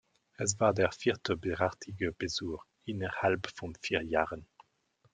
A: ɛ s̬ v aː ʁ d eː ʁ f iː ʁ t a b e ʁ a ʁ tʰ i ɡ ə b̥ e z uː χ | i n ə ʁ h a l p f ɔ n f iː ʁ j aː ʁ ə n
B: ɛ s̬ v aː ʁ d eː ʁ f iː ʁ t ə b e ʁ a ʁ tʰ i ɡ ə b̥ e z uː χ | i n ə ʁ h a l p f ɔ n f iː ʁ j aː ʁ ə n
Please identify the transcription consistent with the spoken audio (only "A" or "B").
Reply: B